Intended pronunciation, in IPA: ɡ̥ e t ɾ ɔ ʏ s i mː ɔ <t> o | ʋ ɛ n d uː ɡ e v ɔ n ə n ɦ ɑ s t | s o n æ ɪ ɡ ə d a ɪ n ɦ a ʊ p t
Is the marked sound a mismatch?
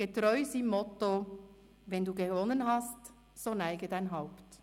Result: no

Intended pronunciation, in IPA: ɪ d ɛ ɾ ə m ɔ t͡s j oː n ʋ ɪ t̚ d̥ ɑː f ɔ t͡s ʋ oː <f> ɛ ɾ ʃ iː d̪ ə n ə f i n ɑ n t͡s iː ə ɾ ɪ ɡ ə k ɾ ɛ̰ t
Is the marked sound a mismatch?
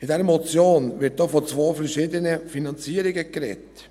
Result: no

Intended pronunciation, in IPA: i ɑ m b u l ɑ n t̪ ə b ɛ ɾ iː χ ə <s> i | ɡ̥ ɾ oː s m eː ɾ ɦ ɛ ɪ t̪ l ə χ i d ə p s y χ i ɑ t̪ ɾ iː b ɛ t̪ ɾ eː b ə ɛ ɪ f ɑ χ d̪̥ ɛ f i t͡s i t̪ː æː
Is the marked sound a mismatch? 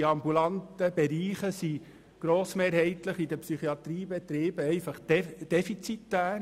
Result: no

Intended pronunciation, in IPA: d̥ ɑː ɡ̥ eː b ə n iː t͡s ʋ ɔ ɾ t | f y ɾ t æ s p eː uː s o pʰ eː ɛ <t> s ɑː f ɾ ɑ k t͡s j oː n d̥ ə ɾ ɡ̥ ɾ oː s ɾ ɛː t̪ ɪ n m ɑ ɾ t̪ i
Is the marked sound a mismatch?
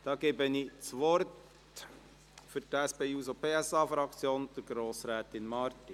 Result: yes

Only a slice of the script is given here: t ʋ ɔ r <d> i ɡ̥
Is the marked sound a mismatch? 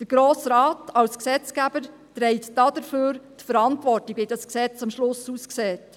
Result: yes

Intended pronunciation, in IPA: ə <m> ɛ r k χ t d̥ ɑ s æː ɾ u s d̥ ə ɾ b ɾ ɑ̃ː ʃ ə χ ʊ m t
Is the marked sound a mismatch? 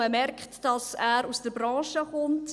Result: no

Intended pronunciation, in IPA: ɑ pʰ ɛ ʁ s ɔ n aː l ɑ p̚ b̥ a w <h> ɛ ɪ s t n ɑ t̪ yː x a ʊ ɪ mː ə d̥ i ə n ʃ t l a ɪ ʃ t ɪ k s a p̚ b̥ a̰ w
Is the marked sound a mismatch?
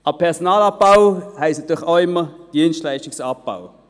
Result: no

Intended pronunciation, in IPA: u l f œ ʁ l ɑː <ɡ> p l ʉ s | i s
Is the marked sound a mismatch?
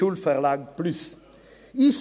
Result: no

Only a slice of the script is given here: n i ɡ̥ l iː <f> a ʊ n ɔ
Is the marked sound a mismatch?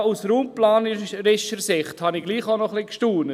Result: yes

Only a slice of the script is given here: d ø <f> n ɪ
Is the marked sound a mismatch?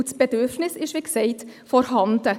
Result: no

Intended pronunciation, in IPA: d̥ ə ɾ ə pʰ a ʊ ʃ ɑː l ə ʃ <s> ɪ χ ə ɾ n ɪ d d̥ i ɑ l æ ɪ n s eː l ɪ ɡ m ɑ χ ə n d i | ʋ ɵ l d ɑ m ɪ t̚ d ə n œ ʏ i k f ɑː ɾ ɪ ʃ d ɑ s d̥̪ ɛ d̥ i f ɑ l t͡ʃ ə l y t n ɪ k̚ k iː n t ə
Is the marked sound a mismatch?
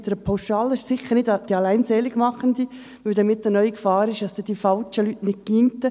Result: no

